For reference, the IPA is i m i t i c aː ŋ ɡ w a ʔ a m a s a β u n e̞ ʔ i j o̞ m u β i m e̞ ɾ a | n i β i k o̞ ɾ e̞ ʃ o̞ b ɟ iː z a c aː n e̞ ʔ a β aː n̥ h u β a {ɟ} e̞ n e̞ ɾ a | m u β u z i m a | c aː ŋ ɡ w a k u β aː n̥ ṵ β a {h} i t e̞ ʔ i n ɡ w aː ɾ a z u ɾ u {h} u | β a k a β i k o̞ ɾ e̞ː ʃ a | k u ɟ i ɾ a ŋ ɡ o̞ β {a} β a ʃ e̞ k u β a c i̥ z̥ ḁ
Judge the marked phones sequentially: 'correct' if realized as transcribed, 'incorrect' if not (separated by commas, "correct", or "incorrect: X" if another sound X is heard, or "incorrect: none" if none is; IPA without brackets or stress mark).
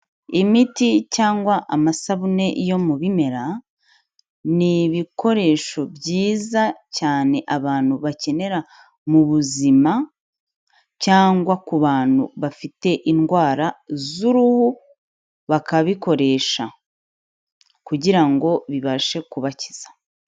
incorrect: c, incorrect: f, correct, incorrect: i